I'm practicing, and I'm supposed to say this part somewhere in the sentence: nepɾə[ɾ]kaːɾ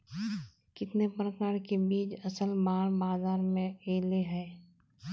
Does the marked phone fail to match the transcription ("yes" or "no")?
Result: yes